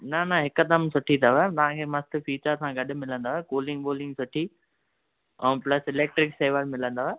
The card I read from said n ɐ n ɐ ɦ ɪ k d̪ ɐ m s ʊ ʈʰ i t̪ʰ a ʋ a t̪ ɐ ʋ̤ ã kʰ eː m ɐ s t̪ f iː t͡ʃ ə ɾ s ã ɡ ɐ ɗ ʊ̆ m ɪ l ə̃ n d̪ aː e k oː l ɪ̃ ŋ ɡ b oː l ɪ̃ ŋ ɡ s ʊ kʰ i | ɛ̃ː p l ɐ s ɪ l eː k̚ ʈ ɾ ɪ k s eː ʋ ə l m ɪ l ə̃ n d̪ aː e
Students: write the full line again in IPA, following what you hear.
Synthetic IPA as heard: n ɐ n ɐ ɦ ɪ k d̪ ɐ m s ʊ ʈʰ i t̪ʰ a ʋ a t̪ ɐ ʋ̤ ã kʰ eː m ɐ s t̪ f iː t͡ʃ ə ɾ s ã ɡ ɐ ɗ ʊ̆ m ɪ l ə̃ n d̪ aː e k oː l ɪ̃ ŋ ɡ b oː l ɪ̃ ŋ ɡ s ʊ ʈʰ i | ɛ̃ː p l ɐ s ɪ l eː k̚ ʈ ɾ ɪ k s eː ʋ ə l m ɪ l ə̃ n d̪ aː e